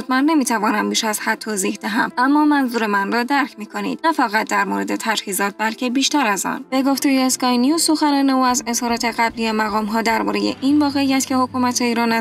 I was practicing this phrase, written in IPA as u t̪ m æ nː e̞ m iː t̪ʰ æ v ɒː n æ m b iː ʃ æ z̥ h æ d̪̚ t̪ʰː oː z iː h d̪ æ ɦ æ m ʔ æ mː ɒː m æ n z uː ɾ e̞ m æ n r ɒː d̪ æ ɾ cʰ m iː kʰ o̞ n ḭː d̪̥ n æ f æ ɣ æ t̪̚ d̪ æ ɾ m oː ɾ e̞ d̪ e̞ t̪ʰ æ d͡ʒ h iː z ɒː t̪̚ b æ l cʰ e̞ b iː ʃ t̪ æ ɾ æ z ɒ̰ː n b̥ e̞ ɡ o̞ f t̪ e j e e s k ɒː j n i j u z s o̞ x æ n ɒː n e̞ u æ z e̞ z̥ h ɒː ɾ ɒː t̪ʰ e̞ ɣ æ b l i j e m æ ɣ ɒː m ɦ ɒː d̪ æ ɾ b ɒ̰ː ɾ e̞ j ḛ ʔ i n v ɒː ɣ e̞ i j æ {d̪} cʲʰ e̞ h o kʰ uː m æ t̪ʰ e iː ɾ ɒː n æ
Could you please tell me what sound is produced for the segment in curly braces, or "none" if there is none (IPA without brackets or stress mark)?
t̪